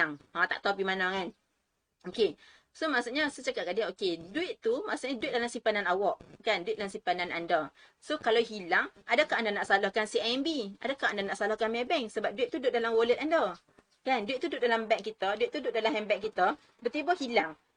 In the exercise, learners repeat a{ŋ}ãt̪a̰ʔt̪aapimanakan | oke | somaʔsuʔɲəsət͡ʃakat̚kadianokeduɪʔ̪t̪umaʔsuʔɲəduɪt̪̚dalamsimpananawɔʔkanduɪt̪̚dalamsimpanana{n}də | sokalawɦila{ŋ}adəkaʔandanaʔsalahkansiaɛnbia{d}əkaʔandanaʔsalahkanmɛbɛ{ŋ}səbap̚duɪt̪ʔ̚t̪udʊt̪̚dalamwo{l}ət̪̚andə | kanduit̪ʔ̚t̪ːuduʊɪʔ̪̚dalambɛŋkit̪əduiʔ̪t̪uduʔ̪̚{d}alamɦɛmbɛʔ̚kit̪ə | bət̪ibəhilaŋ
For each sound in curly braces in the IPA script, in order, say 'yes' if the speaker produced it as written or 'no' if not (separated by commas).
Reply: yes, yes, yes, yes, yes, yes, yes